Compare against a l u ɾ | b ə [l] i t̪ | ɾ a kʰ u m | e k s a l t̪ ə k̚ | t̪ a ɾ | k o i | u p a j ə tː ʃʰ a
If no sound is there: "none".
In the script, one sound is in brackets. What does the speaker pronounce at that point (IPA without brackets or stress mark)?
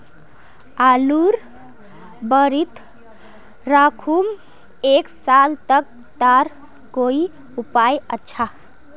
ɾ